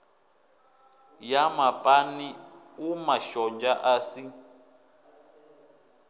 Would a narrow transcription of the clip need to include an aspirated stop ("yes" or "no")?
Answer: no